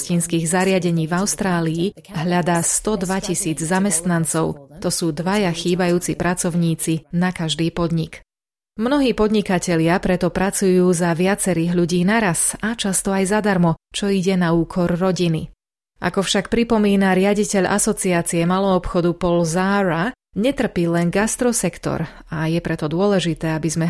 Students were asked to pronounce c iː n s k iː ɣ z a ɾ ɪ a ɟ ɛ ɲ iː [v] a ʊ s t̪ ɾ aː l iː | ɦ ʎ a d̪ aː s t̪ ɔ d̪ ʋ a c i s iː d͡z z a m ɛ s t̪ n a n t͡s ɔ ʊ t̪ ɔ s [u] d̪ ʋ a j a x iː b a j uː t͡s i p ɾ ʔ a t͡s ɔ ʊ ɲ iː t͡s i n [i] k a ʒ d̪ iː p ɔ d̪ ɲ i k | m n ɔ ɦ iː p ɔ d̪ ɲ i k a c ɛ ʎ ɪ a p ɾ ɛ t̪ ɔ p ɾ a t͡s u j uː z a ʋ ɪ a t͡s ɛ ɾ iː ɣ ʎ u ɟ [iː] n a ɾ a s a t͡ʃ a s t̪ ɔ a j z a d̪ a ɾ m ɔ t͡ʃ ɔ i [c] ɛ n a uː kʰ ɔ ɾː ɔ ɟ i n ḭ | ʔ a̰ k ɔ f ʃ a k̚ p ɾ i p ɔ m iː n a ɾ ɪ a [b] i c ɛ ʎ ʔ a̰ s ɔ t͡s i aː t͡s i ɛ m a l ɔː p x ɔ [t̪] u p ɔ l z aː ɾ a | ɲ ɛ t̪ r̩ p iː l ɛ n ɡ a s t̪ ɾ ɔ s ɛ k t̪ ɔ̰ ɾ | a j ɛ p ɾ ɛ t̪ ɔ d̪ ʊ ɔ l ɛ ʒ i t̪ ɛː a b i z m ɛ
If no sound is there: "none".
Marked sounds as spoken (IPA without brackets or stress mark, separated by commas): v, uː, a, iː, ɟ, ɟ, d̪